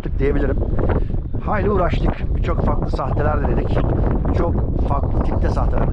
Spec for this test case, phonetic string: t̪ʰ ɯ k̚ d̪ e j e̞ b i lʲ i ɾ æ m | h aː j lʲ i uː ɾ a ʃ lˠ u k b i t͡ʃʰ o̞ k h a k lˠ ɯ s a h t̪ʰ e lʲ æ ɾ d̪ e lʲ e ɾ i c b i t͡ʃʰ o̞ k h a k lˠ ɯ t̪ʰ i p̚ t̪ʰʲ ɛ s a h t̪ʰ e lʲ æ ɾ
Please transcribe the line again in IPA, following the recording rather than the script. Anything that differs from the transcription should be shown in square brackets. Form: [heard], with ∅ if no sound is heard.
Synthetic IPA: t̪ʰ ɯ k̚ d̪ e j e̞ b i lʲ i ɾ [i] m | h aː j lʲ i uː ɾ a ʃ lˠ [ɯ] k b i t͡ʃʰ o̞ k [f] a k lˠ ɯ s a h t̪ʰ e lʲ æ ɾ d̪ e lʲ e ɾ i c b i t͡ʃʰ o̞ k [f] a k lˠ ɯ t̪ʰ i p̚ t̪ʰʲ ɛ s a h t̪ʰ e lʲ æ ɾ